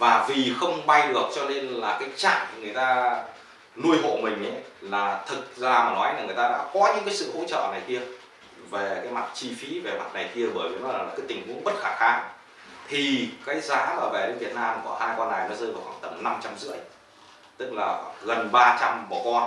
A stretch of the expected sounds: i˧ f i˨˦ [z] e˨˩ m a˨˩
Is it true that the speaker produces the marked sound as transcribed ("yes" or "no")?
no